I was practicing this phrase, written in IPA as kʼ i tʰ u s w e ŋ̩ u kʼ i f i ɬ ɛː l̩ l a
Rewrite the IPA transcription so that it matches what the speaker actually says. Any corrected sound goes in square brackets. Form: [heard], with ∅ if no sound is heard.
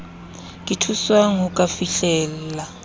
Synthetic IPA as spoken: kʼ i tʰ u s w [a] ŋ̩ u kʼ [a] f i ɬ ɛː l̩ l a